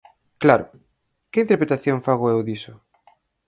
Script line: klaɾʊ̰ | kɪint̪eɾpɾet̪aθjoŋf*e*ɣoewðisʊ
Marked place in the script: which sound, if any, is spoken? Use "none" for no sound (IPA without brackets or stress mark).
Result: a